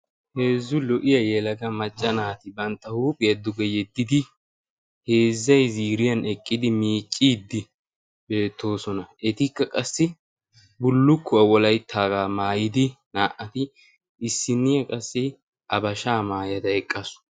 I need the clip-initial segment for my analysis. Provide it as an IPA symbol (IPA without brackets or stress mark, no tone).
h